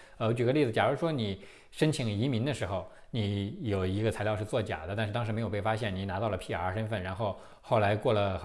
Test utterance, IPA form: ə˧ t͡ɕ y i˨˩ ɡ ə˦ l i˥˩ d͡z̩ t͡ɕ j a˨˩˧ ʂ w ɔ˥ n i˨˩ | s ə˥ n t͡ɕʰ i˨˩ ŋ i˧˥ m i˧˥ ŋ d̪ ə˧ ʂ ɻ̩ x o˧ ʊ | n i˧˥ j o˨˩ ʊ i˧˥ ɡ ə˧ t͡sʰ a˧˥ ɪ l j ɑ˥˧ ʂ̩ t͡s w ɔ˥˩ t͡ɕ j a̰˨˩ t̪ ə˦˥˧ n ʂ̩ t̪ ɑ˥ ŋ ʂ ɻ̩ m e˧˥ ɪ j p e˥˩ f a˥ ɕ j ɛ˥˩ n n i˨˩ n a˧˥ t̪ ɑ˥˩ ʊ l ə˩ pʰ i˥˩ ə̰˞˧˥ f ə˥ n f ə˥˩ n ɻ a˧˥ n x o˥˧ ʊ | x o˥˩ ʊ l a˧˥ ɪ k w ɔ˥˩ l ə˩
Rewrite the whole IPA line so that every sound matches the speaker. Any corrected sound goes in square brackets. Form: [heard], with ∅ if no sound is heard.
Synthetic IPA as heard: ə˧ t͡ɕ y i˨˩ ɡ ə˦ l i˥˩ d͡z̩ t͡ɕ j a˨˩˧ ʂ w ɔ˥ n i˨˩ | [ʂ] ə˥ n t͡ɕʰ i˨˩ ŋ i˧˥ m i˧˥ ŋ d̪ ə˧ ʂ ɻ̩ x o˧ ʊ | n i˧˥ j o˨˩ ʊ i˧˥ ɡ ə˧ t͡sʰ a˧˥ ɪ l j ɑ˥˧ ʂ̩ t͡s w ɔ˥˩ t͡ɕ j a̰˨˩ [d̪] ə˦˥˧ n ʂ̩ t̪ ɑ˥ ŋ ʂ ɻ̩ m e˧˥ ɪ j p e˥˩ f a˥ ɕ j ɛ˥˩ n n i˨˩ n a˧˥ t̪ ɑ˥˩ ʊ l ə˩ pʰ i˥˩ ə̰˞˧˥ [ʂ] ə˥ n f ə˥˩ n ɻ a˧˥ n x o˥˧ ʊ | x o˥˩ ʊ l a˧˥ ɪ k w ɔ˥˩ l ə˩